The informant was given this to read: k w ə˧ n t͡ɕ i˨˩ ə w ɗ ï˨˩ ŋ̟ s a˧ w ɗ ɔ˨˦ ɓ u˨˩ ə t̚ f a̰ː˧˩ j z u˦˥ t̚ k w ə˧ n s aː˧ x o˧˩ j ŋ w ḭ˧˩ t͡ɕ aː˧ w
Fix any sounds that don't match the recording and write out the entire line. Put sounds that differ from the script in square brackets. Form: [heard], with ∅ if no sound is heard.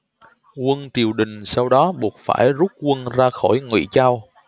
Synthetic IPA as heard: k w ə˧ n t͡ɕ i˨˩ ə w ɗ ï˨˩ ŋ̟ s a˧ w ɗ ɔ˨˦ ɓ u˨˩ ə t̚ f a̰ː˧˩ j z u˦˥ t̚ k w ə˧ n [z] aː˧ x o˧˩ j ŋ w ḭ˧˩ t͡ɕ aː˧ w